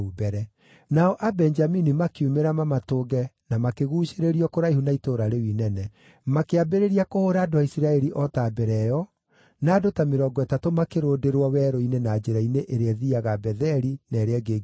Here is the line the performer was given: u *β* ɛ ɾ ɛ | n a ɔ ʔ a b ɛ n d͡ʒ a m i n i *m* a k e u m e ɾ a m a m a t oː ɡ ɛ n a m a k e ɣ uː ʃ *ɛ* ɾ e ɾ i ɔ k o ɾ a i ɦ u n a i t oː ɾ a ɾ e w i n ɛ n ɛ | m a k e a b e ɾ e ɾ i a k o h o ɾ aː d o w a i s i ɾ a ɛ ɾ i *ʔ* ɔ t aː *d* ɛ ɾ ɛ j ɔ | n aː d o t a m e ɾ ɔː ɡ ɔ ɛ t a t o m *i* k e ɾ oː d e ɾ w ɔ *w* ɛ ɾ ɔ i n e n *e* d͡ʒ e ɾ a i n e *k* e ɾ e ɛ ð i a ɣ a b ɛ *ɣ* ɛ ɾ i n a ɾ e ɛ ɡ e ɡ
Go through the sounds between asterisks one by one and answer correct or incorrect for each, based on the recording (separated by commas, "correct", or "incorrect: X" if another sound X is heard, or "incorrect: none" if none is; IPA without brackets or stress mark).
incorrect: b, correct, incorrect: e, correct, incorrect: b, incorrect: a, correct, incorrect: a, incorrect: ʔ, incorrect: ð